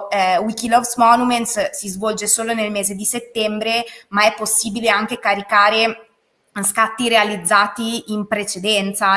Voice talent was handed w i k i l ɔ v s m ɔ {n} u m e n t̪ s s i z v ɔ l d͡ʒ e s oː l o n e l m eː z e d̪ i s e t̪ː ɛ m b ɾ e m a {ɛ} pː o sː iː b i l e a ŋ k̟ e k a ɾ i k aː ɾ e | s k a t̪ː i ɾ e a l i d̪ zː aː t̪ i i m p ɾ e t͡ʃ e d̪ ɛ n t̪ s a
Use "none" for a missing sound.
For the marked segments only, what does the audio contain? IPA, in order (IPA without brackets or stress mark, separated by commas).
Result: n, ɛ